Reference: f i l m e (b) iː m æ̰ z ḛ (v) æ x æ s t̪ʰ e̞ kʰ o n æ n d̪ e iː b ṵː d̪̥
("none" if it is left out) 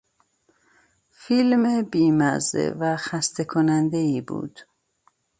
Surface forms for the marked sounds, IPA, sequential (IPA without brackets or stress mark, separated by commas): b, v